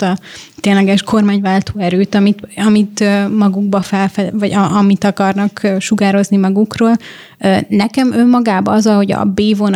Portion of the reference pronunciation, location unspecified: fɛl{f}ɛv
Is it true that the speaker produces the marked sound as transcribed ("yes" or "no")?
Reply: yes